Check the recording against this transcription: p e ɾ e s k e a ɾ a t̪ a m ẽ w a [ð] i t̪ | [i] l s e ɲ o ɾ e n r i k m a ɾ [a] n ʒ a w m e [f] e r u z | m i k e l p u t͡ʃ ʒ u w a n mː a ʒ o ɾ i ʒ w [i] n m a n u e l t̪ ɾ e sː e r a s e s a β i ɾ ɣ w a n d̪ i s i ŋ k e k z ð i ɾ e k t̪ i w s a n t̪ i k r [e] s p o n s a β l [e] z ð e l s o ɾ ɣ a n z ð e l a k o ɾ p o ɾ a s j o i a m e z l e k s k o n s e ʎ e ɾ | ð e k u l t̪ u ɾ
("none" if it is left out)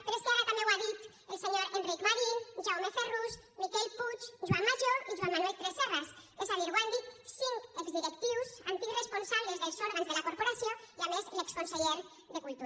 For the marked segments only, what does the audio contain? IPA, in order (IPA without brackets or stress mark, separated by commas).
ð, e, i, f, a, e, e